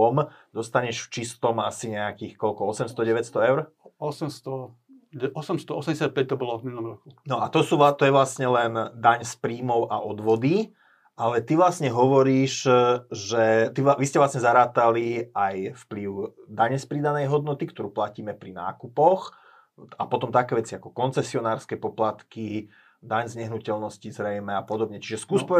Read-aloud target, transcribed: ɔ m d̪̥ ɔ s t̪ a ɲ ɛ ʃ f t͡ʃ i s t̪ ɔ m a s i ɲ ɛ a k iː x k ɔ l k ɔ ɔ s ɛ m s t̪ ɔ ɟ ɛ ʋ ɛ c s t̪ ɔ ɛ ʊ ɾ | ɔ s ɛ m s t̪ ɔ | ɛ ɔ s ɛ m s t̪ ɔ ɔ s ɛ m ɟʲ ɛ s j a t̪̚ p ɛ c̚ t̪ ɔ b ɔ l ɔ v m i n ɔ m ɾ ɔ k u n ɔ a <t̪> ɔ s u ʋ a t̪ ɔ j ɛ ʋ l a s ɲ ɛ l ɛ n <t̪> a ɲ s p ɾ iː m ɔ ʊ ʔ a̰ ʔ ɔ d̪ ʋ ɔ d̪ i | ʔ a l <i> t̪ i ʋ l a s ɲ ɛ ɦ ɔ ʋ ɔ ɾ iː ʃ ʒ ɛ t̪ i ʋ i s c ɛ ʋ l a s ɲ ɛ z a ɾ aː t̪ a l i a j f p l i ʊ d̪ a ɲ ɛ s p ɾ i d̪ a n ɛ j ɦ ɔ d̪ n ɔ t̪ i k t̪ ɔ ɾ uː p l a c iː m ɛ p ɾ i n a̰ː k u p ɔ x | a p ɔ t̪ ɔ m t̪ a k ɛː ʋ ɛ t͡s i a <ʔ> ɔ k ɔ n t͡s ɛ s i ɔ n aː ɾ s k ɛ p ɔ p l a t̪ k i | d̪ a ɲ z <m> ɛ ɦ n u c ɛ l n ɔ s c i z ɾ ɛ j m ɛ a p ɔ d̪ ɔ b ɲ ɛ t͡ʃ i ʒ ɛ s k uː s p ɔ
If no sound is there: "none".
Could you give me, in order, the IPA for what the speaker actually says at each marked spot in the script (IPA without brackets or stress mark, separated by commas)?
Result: t̪, d̪, ɛ, k, ɲ